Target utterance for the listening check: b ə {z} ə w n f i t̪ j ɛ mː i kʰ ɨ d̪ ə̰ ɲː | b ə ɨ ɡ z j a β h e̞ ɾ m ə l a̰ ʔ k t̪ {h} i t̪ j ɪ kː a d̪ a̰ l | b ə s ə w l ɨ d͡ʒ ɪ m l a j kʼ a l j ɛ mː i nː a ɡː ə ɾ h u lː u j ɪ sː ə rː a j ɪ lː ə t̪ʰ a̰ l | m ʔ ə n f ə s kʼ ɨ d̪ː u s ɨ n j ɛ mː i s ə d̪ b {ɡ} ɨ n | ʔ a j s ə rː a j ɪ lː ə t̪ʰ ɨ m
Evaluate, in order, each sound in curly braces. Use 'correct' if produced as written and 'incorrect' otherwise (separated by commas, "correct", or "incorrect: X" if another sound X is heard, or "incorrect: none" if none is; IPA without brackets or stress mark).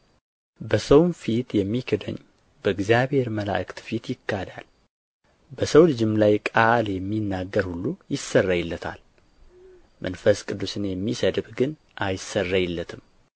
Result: incorrect: s, incorrect: f, correct